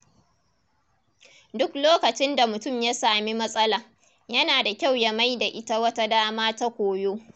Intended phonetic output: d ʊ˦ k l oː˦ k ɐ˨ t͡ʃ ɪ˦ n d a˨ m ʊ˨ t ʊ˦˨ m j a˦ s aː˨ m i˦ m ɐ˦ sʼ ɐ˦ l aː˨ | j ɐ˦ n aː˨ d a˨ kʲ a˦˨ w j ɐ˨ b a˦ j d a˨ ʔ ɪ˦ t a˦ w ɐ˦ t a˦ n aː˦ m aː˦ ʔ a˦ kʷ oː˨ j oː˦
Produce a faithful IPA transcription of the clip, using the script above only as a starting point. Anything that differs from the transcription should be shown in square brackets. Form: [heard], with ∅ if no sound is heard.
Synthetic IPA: d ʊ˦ k l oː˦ k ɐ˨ t͡ʃ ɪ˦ n d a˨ m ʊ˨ t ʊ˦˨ m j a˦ s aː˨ m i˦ m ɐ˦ sʼ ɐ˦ l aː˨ | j ɐ˦ n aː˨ d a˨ kʲ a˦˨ w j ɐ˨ [m] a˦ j d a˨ ʔ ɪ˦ t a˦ w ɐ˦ t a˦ [d] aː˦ m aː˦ [t] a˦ kʷ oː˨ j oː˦